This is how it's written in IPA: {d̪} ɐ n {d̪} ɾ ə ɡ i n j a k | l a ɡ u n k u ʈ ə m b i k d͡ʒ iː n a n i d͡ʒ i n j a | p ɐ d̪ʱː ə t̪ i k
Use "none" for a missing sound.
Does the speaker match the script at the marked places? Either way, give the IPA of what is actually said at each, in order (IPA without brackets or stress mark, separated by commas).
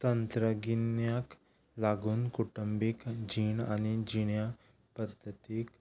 t̪, t̪